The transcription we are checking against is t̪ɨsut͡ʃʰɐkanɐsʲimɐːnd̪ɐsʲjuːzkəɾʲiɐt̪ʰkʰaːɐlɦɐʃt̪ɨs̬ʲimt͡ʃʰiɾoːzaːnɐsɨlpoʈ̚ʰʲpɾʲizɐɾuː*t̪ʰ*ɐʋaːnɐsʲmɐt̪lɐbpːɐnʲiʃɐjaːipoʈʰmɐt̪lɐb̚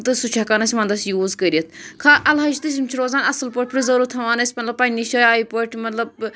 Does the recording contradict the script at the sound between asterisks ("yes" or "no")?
no